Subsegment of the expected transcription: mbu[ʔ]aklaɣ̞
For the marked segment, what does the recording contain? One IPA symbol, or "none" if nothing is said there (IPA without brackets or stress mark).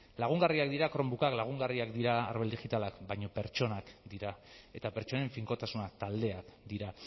k